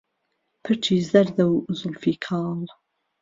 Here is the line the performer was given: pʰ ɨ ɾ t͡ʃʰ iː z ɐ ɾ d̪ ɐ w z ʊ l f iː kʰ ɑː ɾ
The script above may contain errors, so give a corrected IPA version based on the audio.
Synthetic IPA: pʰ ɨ ɾ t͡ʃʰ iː z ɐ ɾ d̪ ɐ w z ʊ l f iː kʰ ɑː l